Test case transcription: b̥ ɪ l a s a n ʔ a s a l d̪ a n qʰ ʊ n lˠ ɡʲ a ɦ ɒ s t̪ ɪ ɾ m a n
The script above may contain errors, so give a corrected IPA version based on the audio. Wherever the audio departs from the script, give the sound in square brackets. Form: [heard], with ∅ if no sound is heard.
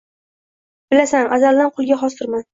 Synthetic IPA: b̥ ɪ l a s a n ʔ a [z] a l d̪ a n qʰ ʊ [∅] lˠ ɡʲ a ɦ ɒ s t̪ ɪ ɾ m a n